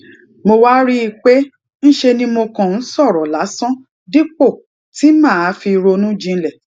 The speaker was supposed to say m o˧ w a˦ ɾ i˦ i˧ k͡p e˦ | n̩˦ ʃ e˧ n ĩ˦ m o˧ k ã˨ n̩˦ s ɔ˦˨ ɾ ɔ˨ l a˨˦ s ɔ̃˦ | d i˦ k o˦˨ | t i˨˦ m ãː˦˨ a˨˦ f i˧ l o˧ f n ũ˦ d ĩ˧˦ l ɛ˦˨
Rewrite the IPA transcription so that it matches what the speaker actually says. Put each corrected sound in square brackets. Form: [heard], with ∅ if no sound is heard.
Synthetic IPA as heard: m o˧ w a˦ ɾ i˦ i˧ k͡p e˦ | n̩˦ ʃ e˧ n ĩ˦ m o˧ k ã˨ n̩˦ s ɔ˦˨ ɾ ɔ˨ l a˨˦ s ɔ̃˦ | d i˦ [k͡p] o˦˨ | t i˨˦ m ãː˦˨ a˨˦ f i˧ [ɾ] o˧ [∅] n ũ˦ [d͡ʒ] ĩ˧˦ l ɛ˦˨